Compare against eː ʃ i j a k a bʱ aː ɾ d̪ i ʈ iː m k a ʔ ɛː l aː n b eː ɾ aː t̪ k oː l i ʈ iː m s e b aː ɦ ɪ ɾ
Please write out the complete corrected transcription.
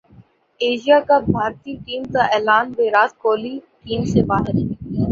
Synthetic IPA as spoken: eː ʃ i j a k a bʱ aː ɾ t̪ i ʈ iː m k a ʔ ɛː l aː n b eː ɾ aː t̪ k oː l i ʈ iː m s e b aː ɦ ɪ ɾ